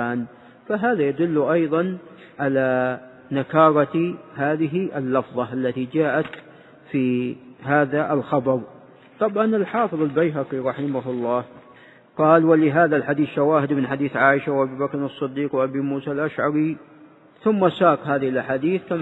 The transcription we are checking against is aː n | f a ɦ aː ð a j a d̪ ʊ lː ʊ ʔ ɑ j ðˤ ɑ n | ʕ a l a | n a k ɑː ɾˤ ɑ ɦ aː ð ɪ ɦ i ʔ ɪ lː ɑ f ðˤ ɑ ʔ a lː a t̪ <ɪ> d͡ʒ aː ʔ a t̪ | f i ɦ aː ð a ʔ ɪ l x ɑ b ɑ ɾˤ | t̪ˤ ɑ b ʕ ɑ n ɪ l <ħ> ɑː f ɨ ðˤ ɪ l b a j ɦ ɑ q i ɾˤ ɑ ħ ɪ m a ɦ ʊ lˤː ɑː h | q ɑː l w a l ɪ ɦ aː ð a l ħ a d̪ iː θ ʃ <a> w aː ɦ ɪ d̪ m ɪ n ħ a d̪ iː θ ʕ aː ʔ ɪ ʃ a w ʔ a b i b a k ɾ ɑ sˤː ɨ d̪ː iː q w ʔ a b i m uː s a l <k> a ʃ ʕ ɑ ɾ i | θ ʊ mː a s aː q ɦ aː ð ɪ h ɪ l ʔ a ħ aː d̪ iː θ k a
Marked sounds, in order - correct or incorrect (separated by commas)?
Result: incorrect, correct, correct, incorrect